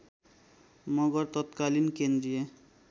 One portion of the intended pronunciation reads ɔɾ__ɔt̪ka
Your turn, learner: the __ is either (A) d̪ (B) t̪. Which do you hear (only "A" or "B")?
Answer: B